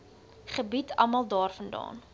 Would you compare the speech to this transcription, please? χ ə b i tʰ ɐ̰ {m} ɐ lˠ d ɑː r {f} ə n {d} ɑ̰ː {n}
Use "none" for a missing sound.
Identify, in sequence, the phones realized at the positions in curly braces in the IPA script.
m, f, d, n

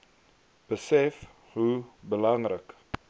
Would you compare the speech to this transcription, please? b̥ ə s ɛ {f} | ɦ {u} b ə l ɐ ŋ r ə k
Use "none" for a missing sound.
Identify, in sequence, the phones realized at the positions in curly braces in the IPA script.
f, u

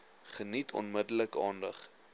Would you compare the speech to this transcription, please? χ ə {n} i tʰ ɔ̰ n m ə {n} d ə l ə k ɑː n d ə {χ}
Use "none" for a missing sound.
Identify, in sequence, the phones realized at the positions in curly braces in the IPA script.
n, none, χ

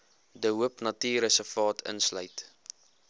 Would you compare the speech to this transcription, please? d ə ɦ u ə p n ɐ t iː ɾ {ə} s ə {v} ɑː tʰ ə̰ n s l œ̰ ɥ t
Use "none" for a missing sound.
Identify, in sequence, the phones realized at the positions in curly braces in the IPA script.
ə, f

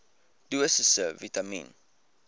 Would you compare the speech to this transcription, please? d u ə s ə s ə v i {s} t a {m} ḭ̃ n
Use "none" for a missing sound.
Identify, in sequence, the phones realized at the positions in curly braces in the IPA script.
none, m

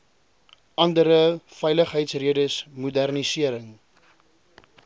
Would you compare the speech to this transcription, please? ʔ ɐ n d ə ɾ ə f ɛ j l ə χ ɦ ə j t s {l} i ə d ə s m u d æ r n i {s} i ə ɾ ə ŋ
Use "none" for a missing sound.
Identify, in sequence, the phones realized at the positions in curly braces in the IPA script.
r, s

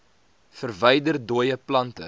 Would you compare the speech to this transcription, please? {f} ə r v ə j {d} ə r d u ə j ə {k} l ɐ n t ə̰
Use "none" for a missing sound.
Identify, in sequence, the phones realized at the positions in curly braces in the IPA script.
f, d, p

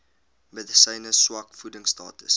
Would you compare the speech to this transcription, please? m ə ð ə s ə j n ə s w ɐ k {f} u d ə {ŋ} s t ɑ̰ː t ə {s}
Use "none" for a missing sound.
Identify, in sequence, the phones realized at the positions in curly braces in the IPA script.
f, ŋ, s

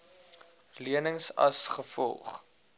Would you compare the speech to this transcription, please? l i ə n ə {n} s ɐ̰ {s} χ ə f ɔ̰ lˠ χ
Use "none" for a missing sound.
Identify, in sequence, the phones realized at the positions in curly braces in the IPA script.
ŋ, s

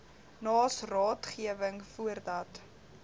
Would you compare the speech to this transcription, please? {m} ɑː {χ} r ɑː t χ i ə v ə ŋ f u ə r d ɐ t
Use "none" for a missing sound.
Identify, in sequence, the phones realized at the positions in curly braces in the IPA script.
n, s

